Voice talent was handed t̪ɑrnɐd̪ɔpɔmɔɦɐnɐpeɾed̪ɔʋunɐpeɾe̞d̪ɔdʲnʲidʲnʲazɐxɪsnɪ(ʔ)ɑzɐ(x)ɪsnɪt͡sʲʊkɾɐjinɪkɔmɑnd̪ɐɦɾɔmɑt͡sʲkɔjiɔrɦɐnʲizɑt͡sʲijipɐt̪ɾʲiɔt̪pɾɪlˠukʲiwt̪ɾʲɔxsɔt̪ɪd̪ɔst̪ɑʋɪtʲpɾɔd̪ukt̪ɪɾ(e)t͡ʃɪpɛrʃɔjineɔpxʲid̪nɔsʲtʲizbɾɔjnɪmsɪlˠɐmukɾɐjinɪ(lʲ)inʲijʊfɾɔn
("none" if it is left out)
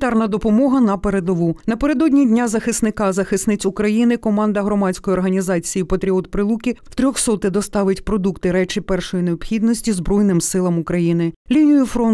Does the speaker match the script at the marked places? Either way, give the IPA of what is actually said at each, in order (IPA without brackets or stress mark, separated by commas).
k, x, ɛ, lʲ